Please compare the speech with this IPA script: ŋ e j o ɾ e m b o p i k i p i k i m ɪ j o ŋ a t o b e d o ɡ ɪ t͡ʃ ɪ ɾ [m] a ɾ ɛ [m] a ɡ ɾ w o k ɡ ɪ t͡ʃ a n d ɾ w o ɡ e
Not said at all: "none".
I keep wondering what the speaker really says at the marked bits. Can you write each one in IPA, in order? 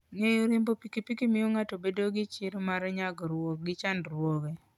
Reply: m, ɲ

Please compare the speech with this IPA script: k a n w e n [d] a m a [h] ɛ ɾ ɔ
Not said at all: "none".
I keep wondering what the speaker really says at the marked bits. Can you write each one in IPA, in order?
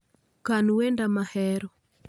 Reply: d, h

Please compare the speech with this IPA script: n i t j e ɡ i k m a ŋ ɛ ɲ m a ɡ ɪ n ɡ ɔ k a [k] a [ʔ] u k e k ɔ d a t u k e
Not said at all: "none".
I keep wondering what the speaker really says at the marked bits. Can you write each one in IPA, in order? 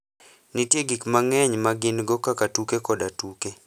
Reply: k, t

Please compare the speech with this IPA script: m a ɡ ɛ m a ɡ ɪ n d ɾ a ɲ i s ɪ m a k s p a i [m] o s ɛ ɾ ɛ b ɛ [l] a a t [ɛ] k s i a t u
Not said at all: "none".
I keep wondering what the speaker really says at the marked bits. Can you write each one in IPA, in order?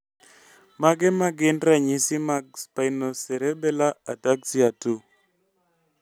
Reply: n, l, a

